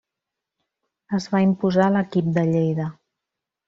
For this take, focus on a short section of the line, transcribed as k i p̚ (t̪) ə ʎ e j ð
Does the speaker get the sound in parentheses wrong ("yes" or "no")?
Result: yes